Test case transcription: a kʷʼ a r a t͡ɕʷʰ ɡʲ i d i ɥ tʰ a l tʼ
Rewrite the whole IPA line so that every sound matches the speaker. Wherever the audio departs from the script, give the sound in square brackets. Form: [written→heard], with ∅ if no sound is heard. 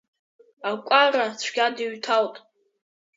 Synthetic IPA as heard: a kʷʼ a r a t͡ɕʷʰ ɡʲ [i→a] d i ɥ tʰ a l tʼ